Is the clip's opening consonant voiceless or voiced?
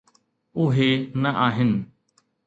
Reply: voiced